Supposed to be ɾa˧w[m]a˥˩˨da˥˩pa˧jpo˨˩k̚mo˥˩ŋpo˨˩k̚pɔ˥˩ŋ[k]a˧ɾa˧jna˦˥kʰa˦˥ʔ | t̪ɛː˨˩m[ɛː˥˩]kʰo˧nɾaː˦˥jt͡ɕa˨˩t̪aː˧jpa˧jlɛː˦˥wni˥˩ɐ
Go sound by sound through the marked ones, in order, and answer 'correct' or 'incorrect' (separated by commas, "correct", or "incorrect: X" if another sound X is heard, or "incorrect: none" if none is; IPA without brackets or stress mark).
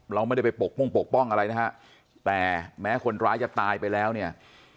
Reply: correct, incorrect: ʔ, incorrect: ɛː˦˥